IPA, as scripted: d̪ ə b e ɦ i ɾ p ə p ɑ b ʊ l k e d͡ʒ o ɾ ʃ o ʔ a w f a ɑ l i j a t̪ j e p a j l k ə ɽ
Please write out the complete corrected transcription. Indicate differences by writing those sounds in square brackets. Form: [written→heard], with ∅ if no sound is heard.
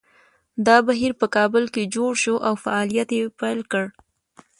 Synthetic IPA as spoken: d̪ [ə→ɑ] b [e→a] ɦ i ɾ p ə [p→k] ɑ b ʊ l k e d͡ʒ o [ɾ→ɽ] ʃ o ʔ a w f a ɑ l i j a t̪ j e p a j l k ə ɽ